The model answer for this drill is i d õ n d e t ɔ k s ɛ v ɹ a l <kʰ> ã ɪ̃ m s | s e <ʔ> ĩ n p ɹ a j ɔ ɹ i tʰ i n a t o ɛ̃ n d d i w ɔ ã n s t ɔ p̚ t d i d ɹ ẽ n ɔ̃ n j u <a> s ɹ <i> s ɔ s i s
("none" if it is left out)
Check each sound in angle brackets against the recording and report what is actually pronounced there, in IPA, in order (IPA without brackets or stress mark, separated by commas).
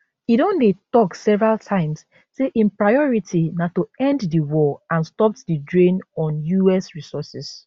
tʰ, ʔ, ɛ, i